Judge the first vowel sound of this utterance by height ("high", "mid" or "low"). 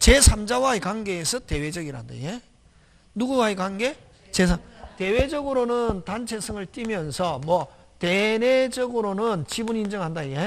mid